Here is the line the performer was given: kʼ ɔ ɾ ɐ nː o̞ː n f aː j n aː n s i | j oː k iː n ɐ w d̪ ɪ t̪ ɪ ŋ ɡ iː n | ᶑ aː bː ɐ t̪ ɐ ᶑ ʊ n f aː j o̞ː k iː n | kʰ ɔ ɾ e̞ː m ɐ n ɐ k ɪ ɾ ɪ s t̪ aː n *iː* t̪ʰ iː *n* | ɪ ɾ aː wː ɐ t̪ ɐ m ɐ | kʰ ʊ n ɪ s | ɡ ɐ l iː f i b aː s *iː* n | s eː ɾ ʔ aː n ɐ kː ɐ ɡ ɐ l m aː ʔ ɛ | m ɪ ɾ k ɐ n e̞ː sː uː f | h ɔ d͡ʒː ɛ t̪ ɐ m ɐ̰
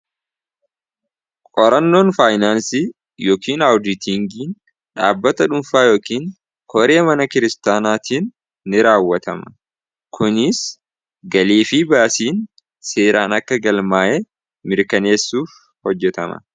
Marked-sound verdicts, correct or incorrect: incorrect: aː, incorrect: nː, correct

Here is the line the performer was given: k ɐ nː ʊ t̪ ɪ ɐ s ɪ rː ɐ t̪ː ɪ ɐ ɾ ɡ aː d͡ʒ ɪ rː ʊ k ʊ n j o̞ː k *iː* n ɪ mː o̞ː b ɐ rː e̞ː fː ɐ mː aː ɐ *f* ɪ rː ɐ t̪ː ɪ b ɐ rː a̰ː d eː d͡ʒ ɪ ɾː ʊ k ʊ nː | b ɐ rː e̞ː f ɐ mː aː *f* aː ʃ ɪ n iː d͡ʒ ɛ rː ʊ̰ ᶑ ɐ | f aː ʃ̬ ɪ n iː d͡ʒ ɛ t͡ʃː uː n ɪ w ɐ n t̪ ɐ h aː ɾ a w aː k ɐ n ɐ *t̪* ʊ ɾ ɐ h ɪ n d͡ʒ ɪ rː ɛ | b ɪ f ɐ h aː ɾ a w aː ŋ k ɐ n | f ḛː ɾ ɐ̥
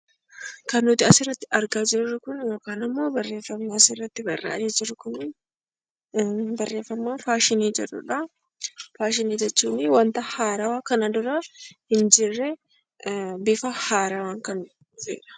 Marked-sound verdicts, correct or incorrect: incorrect: aː, incorrect: s, correct, incorrect: d̪

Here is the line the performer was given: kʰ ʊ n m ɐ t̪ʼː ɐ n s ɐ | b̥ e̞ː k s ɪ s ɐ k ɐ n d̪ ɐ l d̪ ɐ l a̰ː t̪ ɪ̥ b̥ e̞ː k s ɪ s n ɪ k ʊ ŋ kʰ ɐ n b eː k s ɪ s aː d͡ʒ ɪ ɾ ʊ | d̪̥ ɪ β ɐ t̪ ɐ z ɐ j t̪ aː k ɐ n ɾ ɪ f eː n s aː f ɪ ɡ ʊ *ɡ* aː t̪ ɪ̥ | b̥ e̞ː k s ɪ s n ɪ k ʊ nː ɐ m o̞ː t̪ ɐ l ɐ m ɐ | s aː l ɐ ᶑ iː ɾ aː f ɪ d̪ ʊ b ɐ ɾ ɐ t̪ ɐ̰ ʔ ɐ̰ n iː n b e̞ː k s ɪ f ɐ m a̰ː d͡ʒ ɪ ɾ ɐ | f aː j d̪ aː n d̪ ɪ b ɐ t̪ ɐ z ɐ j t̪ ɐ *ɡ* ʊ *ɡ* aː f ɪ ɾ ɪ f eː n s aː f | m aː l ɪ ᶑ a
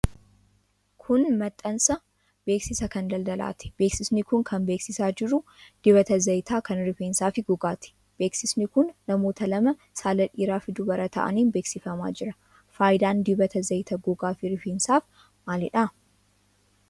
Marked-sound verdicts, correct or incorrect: correct, correct, correct

